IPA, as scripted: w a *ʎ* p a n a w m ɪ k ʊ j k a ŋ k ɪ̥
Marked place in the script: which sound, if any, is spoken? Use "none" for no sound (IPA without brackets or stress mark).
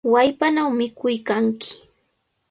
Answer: j